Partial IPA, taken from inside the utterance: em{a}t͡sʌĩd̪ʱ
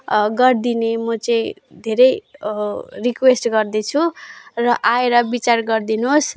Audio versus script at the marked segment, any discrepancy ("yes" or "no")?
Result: yes